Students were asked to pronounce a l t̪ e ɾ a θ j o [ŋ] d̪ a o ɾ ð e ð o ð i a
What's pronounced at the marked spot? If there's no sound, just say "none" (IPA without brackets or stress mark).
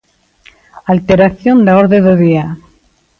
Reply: n